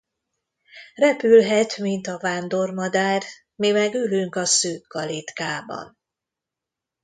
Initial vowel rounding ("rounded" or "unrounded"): unrounded